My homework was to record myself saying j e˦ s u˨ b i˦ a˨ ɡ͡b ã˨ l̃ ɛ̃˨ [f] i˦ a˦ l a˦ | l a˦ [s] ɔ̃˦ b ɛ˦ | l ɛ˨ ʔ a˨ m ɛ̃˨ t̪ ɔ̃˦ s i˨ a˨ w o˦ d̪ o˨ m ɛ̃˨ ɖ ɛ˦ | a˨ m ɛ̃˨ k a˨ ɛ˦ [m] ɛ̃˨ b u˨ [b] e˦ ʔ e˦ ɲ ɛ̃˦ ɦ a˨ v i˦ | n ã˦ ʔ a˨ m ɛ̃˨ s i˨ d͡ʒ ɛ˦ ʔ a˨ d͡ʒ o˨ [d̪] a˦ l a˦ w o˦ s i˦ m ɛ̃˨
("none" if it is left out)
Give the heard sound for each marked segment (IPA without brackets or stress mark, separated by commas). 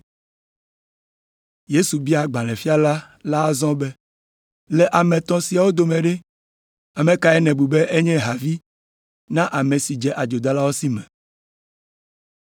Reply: f, z, n, b, d̪